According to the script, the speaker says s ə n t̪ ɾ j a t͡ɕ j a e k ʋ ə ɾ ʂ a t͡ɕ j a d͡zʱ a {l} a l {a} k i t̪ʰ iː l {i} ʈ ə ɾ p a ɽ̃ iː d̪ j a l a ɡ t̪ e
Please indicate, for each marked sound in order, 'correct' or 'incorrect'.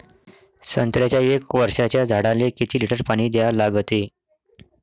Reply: incorrect, incorrect, correct

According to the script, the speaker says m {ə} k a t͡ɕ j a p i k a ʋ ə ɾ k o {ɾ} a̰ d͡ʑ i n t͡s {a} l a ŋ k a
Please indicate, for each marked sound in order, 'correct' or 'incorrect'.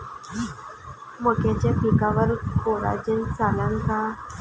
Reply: correct, correct, correct

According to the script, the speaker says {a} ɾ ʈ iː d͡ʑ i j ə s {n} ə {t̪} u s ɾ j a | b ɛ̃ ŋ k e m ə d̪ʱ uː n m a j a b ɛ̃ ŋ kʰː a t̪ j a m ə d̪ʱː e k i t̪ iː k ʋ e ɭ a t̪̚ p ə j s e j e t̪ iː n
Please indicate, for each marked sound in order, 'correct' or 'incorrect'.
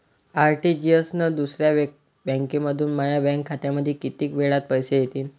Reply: correct, correct, incorrect

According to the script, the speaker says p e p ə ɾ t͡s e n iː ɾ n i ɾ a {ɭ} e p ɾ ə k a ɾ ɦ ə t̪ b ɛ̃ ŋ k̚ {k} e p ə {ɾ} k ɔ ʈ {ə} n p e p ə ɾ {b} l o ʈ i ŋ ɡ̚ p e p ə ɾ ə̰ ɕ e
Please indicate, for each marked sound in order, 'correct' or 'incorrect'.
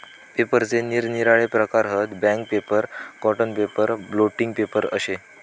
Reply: correct, incorrect, correct, correct, correct

